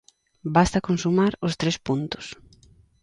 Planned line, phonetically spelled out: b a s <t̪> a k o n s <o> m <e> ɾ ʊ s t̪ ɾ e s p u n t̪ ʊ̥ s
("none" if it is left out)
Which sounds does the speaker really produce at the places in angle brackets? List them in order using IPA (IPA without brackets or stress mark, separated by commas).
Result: t̪, u, a